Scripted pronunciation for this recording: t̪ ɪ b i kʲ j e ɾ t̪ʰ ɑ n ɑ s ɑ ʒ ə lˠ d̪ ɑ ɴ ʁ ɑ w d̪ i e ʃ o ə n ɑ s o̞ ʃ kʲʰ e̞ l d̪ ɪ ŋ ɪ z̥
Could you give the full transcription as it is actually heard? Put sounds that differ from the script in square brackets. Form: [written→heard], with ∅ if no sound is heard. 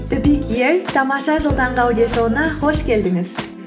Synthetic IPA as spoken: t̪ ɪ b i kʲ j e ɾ t̪ʰ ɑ [n→m] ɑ [s→ʃ] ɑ ʒ ə lˠ d̪ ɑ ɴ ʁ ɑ w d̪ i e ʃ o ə n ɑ [s→χ] o̞ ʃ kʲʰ e̞ l d̪ ɪ ŋ ɪ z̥